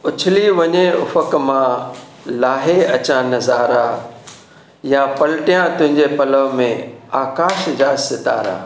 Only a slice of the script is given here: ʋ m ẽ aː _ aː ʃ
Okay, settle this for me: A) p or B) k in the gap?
B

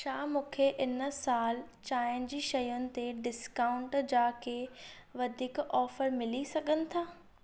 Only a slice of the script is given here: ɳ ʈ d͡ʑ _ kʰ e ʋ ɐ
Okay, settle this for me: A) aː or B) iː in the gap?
A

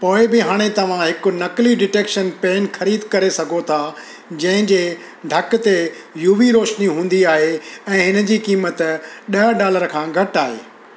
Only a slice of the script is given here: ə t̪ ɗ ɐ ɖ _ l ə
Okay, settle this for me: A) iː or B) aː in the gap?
B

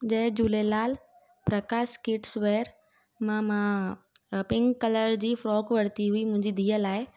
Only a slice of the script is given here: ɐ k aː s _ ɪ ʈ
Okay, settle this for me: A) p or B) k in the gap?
B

